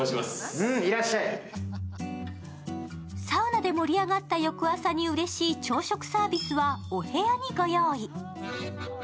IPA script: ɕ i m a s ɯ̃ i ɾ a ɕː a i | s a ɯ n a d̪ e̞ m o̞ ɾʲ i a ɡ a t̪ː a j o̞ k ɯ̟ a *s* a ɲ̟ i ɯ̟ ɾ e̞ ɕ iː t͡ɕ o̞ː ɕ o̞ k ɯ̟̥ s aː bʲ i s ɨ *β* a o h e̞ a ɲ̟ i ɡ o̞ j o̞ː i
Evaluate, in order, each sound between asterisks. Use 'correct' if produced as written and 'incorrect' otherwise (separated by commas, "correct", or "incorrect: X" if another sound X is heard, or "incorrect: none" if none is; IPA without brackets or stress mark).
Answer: correct, correct